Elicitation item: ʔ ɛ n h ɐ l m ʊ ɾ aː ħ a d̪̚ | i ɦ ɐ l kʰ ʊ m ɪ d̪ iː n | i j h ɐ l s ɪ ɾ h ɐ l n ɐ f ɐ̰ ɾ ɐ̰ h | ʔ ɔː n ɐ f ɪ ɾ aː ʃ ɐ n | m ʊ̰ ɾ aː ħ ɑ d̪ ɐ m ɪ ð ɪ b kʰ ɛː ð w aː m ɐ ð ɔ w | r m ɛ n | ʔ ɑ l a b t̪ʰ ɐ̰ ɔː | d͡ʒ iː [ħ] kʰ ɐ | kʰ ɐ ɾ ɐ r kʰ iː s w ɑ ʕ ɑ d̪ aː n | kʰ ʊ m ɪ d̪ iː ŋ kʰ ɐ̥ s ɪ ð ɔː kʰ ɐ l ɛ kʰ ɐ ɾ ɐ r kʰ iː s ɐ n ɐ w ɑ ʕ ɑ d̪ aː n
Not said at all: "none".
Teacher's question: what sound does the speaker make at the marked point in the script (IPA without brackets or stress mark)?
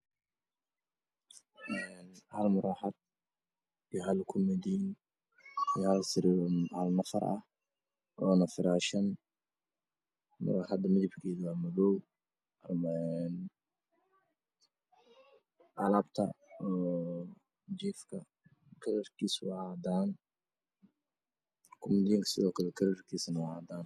f